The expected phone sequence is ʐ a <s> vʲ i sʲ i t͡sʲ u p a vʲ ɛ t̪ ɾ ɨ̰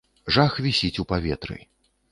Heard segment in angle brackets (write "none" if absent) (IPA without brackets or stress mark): x